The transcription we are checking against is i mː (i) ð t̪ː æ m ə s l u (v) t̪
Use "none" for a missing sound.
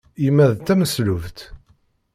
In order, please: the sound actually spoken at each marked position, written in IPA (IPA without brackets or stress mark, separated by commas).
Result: æ, v